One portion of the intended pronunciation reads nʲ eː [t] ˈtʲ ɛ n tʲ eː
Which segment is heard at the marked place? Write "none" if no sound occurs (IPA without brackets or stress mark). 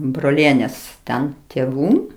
s